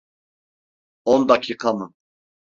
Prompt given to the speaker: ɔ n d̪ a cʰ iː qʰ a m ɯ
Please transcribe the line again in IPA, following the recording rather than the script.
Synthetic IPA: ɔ n d̪ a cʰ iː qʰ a m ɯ